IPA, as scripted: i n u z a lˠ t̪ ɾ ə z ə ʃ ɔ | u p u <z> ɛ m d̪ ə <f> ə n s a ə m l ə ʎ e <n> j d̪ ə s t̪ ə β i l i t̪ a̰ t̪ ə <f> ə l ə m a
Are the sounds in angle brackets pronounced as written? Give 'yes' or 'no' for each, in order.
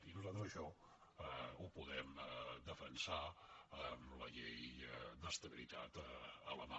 no, yes, no, no

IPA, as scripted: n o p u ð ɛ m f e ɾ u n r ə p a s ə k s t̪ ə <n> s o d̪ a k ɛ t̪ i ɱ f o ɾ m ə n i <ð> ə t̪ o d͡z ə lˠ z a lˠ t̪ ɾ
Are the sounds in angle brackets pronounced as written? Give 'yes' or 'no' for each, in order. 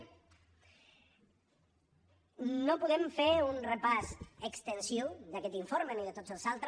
yes, yes

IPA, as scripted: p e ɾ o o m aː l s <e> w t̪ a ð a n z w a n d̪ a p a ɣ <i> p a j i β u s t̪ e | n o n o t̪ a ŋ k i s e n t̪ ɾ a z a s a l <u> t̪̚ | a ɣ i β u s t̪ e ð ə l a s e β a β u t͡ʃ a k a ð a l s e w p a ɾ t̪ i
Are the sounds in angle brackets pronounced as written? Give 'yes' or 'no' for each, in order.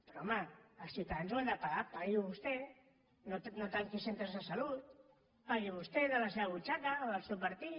no, no, yes

